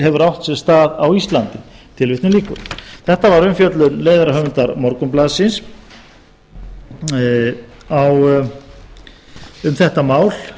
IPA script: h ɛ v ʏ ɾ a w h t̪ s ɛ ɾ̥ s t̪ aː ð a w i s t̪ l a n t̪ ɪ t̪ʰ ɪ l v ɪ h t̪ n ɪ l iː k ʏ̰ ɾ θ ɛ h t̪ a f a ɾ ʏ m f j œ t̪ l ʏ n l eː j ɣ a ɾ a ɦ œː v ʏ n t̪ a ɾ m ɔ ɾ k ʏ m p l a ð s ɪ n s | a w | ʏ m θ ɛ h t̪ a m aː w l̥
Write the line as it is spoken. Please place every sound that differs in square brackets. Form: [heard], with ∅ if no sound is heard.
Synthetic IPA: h ɛ v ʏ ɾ a w h t̪ s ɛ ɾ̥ s t̪ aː ð a w i s t̪ l a n t̪ ɪ t̪ʰ ɪ l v ɪ h t̪ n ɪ l iː k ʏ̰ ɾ θ ɛ h t̪ a [v] a ɾ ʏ m f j œ t̪ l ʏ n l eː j [ð] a ɾ a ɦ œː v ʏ n t̪ a ɾ m ɔ ɾ k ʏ m p l a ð s ɪ n s | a w | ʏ m θ ɛ h t̪ a m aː w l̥

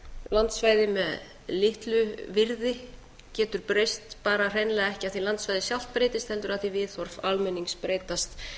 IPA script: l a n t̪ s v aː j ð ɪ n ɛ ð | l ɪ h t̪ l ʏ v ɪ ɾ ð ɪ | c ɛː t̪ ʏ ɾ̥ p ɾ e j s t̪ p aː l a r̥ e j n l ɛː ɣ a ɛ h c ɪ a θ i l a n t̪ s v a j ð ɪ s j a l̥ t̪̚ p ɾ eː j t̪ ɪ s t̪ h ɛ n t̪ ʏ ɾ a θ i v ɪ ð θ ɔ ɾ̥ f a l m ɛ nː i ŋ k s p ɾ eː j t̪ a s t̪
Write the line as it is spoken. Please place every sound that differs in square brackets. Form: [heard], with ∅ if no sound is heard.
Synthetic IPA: l a n t̪ s v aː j ð ɪ [m] ɛ ð | l ɪ h t̪ l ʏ v ɪ ɾ ð ɪ | c ɛː t̪ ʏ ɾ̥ p ɾ e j s t̪ p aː [ɾ] a r̥ e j n l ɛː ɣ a ɛ h c ɪ a θ i l a n t̪ s v a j ð ɪ s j a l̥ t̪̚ p ɾ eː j t̪ ɪ s t̪ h ɛ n t̪ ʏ ɾ a θ i v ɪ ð θ ɔ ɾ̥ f a l m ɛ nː i ŋ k s p ɾ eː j t̪ a s t̪

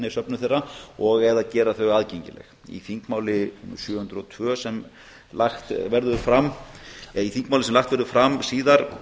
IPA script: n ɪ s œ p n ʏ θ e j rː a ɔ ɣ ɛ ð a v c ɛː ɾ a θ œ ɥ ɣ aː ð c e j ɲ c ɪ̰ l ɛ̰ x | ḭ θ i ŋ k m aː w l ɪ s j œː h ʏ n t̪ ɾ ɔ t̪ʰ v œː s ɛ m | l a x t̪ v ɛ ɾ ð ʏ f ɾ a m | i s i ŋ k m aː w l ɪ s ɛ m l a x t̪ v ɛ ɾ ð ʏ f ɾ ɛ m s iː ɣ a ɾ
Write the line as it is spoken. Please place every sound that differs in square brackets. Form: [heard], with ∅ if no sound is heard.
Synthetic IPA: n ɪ s œ p n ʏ θ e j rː a ɔ ɣ ɛ ð a [ð] c ɛː ɾ a θ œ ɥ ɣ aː ð c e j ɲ c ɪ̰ l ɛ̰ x | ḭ θ i ŋ k m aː w l ɪ s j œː h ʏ n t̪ ɾ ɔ t̪ʰ v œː s ɛ m | l a x t̪ v ɛ ɾ ð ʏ f ɾ a m | i [θ] i ŋ k m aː w l ɪ s ɛ m l a x t̪ v ɛ ɾ ð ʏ f ɾ [a] m s iː [ð] a ɾ

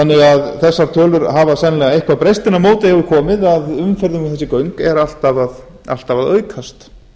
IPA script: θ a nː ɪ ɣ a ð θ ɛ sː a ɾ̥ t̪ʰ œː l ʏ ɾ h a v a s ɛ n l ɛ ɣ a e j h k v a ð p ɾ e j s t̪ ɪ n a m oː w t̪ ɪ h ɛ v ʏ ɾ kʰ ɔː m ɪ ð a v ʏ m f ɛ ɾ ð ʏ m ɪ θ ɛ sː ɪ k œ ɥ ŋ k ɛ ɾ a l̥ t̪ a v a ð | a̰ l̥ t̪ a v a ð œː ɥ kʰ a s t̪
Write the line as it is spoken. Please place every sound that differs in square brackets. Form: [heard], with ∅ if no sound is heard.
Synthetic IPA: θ a nː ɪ ɣ a ð θ ɛ sː a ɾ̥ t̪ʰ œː l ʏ ɾ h a v a s ɛ n l ɛ ɣ a e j h k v a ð p ɾ e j s t̪ ɪ n a m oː w t̪ ɪ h ɛ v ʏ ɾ kʰ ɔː m ɪ ð a [ð] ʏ m f ɛ ɾ ð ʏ m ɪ θ ɛ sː ɪ k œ ɥ ŋ k ɛ ɾ a l̥ t̪ a v a ð | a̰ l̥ t̪ a v a ð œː ɥ kʰ a s t̪

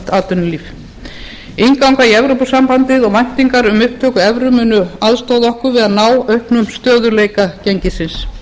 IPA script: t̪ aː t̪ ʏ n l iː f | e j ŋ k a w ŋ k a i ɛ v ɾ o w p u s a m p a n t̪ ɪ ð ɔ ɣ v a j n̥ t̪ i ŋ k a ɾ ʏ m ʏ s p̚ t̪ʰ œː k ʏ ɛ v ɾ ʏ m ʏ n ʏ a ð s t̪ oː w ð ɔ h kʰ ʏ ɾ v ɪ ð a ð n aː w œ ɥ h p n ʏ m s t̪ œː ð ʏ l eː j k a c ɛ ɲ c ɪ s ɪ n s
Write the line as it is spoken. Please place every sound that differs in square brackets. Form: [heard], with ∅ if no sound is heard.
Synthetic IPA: t̪ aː t̪ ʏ n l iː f | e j ŋ k a w ŋ k a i ɛ v ɾ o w p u s a m p a n t̪ ɪ ð ɔ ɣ v a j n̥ t̪ i ŋ k a ɾ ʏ m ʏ [h] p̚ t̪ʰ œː k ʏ ɛ v ɾ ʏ m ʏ n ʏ a ð s t̪ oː w ð ɔ h [k] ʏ ɾ v ɪ ð a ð n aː w œ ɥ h p n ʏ m s t̪ œː ð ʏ l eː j k a c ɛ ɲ c ɪ s ɪ n s

